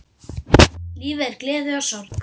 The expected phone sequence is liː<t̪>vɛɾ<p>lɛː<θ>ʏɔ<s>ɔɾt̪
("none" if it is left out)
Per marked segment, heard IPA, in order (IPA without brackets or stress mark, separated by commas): none, k, ð, s